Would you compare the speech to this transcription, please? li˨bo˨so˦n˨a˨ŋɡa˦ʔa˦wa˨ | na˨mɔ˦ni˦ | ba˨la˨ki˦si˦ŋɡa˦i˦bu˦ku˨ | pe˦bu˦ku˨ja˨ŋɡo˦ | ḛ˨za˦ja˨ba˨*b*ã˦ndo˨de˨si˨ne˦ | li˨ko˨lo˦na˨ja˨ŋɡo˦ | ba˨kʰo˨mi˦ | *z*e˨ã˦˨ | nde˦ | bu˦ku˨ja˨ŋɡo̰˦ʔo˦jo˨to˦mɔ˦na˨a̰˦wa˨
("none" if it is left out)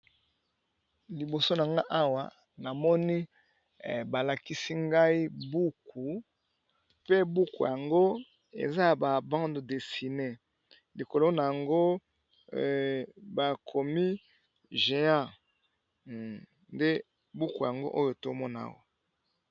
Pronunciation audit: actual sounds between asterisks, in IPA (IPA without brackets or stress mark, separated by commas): b, ʒ